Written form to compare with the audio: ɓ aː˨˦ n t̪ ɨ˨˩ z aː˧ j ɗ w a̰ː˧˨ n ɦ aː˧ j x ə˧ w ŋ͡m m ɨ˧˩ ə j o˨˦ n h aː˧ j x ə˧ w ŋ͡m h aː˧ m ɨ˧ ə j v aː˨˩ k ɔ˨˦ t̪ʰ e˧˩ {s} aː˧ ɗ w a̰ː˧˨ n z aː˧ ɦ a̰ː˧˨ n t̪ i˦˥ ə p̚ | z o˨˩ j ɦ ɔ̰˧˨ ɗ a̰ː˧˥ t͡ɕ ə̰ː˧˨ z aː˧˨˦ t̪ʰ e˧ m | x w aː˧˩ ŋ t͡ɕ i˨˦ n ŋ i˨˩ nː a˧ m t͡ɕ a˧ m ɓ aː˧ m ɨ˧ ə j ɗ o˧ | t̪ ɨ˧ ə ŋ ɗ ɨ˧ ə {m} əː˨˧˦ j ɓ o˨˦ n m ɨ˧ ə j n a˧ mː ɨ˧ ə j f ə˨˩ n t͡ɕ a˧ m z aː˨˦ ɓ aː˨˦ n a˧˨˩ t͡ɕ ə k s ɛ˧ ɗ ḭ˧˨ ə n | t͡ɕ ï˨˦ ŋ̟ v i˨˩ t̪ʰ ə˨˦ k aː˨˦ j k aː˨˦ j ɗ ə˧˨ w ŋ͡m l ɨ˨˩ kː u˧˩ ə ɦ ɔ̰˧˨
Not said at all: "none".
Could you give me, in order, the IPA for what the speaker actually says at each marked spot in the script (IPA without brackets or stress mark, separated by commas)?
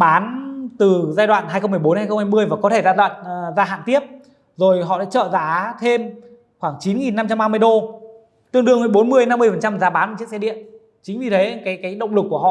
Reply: z, ŋ